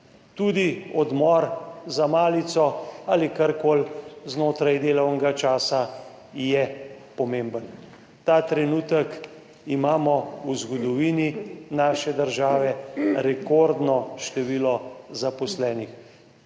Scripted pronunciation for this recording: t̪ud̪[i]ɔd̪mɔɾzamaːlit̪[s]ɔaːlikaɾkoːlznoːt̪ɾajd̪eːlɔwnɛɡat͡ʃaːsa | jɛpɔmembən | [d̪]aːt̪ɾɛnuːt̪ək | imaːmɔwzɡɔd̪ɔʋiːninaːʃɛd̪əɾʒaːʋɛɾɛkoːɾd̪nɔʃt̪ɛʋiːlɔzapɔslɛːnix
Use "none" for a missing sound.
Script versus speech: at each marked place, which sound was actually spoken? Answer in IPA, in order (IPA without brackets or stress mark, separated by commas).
i, s, t̪